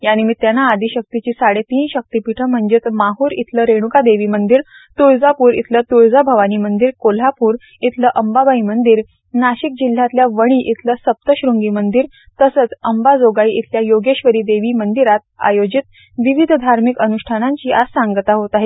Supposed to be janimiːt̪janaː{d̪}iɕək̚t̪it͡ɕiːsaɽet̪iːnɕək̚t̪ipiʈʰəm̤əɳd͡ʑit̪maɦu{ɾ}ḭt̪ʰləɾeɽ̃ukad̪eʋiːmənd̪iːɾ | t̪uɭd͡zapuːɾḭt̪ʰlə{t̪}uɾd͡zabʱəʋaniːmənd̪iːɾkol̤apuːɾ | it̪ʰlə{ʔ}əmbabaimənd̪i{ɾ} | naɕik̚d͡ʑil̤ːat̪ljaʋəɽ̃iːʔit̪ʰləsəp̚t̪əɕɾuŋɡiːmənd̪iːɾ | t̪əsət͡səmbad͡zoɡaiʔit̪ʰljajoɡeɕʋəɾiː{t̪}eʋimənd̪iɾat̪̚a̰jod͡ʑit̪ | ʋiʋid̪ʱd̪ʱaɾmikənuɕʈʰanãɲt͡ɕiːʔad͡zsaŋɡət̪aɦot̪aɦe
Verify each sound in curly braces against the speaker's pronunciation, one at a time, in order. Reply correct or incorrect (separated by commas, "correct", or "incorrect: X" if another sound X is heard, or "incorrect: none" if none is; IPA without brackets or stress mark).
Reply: correct, correct, correct, correct, correct, incorrect: d̪